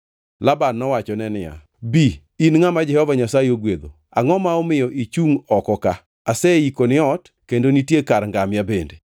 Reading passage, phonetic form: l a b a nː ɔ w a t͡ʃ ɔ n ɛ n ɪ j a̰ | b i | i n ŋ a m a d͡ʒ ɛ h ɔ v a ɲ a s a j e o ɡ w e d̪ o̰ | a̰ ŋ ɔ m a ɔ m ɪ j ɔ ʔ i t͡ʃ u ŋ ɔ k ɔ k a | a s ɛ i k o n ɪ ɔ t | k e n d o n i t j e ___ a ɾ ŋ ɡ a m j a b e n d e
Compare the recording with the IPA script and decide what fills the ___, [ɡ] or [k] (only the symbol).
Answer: k